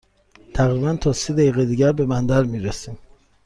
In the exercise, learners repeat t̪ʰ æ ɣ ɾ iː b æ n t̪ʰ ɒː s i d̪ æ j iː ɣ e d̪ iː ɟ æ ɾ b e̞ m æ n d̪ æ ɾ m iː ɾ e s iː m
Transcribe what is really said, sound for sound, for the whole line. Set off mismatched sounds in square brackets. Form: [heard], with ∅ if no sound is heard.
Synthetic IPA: t̪ʰ æ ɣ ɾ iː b æ n t̪ʰ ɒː s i d̪ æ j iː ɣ e d̪ iː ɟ æ ɾ b e̞ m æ n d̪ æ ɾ m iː ɾ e s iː m